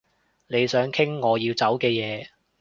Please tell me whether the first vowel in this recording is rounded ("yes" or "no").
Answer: no